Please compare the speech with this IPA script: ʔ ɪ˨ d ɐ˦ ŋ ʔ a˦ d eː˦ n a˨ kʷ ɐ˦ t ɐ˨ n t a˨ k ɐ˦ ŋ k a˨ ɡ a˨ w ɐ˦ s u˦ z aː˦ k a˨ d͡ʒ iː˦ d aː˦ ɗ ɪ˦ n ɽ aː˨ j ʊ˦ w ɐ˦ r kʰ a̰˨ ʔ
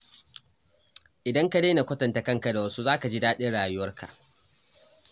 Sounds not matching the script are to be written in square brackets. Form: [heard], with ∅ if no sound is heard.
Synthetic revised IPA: ʔ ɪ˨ d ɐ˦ ŋ [k] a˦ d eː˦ n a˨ kʷ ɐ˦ t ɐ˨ n t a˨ k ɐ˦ ŋ k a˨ [d] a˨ w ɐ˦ s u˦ z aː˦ k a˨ d͡ʒ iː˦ d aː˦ ɗ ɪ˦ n ɽ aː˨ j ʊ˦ w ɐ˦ r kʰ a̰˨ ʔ